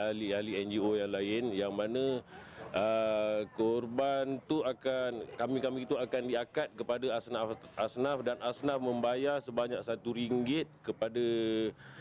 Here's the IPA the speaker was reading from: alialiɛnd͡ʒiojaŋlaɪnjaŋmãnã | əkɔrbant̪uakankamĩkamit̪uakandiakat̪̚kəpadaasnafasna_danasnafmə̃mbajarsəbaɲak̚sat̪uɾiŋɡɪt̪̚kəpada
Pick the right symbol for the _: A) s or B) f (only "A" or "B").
B